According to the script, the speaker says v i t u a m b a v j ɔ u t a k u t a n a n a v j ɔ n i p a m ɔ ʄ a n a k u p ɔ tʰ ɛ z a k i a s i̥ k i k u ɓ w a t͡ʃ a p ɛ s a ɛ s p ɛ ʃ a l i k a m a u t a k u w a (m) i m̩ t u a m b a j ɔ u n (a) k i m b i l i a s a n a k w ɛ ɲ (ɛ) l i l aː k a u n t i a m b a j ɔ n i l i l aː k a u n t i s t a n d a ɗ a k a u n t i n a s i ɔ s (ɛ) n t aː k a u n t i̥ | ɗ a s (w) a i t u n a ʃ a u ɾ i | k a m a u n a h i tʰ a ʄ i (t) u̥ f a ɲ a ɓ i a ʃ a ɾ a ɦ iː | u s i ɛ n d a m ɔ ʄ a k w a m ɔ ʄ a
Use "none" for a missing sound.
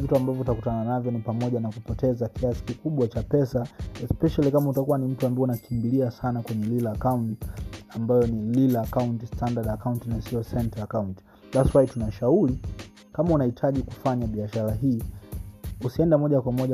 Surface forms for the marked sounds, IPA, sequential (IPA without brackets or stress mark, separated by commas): n, a, ɛ, ɛ, w, k